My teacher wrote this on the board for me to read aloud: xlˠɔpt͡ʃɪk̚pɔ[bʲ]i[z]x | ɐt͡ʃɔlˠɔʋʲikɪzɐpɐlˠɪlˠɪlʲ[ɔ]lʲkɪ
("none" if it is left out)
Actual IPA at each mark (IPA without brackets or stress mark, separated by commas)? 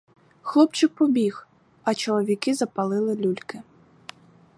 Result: bʲ, none, u